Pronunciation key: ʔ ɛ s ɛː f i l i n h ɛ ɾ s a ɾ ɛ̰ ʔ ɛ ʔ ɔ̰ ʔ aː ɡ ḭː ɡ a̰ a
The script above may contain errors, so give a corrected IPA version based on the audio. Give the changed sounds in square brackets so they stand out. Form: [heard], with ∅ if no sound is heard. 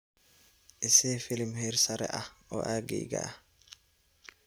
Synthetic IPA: ʔ ɛ s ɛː f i l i [m] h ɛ ɾ s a ɾ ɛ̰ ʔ [a] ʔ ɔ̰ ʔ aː ɡ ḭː ɡ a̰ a